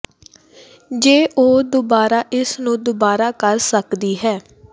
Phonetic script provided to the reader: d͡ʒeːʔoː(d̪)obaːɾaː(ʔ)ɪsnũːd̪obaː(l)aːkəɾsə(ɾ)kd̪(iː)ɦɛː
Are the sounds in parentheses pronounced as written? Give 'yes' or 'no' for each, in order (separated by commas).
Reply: yes, yes, no, no, yes